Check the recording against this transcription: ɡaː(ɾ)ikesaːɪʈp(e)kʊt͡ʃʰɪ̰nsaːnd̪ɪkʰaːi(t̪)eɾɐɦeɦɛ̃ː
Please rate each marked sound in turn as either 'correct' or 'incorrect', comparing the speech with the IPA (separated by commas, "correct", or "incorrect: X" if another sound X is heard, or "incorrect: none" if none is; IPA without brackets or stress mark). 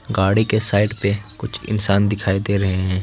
incorrect: ɽ, correct, incorrect: d̪